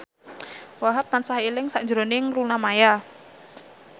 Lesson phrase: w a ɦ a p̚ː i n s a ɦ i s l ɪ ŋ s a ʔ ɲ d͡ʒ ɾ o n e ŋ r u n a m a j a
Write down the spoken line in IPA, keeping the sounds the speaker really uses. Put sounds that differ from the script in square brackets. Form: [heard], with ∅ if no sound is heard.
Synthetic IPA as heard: w a ɦ a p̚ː [a] n s a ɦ i [∅] l ɪ ŋ s a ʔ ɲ d͡ʒ ɾ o n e ŋ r u n a m a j a